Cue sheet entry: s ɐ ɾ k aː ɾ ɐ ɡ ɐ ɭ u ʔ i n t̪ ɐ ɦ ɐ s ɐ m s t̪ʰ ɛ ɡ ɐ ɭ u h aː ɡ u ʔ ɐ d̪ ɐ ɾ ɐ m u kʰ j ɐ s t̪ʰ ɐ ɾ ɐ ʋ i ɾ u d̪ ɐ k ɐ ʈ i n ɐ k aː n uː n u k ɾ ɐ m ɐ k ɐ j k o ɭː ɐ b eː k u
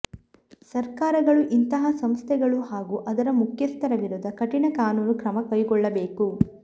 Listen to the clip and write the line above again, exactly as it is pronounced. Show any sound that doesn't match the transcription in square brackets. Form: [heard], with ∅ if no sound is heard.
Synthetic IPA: s ɐ ɾ k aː ɾ ɐ ɡ ɐ ɭ u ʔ i n t̪ ɐ ɦ ɐ s ɐ m s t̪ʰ ɛ ɡ ɐ ɭ u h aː ɡ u ʔ ɐ d̪ ɐ ɾ ɐ m u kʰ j ɐ s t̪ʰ ɐ ɾ ɐ ʋ i ɾ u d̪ ɐ k ɐ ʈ i n ɐ k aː n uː n u k ɾ ɐ m ɐ k ɐ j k [ɔ] ɭː ɐ b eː k u